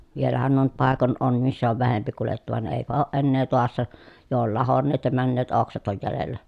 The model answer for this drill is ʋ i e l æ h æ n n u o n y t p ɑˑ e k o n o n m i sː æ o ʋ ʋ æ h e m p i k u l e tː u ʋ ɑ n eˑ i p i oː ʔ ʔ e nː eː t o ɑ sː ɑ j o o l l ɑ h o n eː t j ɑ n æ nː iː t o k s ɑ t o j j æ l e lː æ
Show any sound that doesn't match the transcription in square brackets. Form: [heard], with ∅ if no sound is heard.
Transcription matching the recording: ʋ i e l æ h æ n n u o n y t p ɑˑ e k o n o n m i sː æ o ʋ ʋ æ h e m p i k u l e tː u ʋ ɑ n eˑ i p [æ] oː ʔ ʔ e nː eː t o ɑ sː ɑ j o o l l ɑ h o [nː] eː t j ɑ [m] æ nː [eː] t o k s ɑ t o j j æ l e lː æ

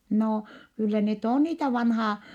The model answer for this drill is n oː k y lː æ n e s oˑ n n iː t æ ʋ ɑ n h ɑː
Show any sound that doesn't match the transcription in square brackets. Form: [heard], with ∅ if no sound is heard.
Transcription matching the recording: n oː k y lː æ n e [t] oˑ n n iː t æ ʋ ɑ n h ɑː

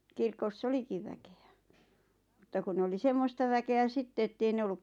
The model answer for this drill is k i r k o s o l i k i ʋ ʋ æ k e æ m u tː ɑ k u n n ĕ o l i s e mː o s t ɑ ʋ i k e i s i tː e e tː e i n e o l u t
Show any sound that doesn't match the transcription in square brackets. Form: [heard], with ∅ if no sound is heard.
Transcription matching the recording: k i r k o s o l i k i ʋ ʋ æ k e æ m u tː ɑ k u n n ĕ o l i s e mː o s t ɑ ʋ [æ] k e [æ] s i tː e e tː e i n e o [lː] u [k]

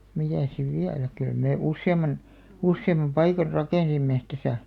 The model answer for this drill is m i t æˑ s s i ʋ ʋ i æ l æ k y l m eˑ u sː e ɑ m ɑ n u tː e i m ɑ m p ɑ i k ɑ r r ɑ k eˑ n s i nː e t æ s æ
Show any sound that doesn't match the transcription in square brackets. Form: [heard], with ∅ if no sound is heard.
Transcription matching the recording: m i t æˑ s s i ʋ ʋ i æ l æ k y l m eˑ u sː e ɑ m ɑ n u [sː] e i m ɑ m p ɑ i k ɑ r r ɑ k eˑ n s i [mː] e t æ s æ

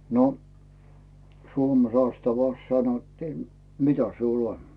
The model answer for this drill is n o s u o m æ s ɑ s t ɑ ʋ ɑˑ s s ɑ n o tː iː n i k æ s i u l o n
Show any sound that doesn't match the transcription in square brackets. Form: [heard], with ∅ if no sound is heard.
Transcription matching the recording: n o s u o m [e] s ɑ s t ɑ ʋ ɑˑ s s ɑ n o tː iː [m] i [t] æ s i u l o n

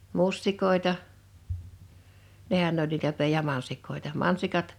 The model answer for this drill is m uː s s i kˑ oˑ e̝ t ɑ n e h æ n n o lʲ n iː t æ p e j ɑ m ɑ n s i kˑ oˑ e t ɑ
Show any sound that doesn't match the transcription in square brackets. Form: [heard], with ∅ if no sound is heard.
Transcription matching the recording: m [u] s [t] i kˑ oˑ e̝ t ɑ n e h æ n n o lʲ n iː t æ p e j ɑ m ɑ n s i kˑ oˑ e t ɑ

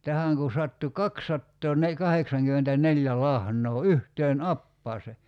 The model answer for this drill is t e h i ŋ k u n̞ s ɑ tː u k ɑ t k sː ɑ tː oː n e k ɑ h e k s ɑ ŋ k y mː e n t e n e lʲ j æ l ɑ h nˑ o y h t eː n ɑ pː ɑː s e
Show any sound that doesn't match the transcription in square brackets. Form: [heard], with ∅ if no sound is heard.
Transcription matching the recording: t [æ] h [æ] ŋ k u n̞ s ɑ tː u k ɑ [∅] k sː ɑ tː oː n e k ɑ h e k s ɑ ŋ k y mː e n t [æ] n e lʲ j æ l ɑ h nˑ [oː] y h t eː n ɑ pː ɑː s e

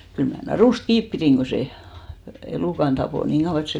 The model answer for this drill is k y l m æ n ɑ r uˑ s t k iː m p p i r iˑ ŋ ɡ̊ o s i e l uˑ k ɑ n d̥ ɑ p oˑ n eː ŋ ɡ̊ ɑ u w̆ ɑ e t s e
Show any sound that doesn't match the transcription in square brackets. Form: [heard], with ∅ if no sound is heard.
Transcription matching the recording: k y l m æ n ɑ r uˑ s t k iː [∅] p p i r iˑ ŋ ɡ̊ o s [e] e l uˑ k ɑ n d̥ ɑ p oˑ n [iː] ŋ ɡ̊ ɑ u w̆ ɑ e t s e

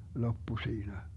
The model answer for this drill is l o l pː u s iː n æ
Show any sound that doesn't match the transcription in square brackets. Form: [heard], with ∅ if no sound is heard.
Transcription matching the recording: l o [∅] pː u s iː n æ

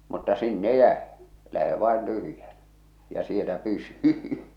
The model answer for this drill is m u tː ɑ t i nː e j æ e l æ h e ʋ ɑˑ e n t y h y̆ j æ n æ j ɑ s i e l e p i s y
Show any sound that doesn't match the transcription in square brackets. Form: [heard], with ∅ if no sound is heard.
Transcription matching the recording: m u tː ɑ [s] i nː e j æ e l æ h e ʋ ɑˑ e n t y h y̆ j æ n æ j ɑ s i e l [æ] p [y] s y

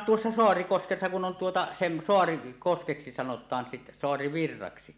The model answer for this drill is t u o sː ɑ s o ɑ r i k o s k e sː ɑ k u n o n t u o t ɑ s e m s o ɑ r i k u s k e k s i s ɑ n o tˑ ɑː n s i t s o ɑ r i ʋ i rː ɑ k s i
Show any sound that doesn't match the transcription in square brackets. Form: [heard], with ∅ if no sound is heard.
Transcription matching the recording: t u o sː ɑ s o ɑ r i k o s k e sː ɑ k u n o n t u o t ɑ s e m s o ɑ r i k [o] s k e k s i s ɑ n o tˑ ɑː n s i t s o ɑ r i ʋ i rː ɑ k s i

